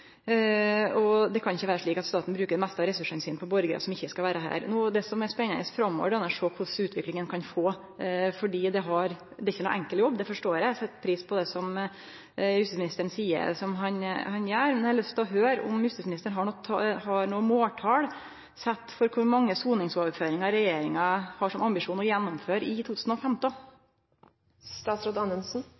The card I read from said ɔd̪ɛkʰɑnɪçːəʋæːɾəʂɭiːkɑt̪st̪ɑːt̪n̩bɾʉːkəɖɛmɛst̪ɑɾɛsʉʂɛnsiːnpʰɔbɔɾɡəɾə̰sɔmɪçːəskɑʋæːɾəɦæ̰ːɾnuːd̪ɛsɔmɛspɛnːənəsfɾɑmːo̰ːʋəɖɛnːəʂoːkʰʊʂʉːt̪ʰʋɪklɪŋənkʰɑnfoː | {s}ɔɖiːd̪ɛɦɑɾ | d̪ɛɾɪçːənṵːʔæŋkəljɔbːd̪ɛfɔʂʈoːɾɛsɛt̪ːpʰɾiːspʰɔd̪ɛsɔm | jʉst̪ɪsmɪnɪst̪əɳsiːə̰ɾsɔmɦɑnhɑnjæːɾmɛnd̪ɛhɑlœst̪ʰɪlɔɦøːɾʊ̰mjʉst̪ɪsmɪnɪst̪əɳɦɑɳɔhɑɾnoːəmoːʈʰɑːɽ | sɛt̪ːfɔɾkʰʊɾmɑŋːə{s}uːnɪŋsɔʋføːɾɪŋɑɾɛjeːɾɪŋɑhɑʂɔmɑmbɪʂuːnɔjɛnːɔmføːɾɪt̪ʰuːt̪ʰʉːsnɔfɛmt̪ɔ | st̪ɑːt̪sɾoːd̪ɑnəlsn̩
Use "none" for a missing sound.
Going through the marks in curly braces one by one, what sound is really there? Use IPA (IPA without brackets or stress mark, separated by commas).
f, s